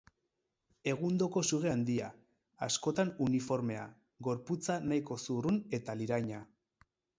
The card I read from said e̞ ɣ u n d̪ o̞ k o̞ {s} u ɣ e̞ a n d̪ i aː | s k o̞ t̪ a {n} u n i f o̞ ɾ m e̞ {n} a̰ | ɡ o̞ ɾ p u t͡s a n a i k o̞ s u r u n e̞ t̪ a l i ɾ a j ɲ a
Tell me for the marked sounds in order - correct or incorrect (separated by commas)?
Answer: correct, correct, incorrect